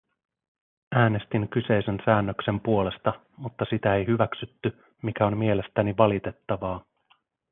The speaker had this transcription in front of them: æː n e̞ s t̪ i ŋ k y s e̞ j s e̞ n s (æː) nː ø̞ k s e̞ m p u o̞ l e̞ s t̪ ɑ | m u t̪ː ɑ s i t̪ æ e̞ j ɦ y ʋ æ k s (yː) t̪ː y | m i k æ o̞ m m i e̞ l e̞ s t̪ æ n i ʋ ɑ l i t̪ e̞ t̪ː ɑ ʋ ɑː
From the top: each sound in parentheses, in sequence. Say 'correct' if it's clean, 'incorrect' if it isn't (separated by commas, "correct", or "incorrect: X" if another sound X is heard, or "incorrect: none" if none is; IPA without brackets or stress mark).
correct, incorrect: y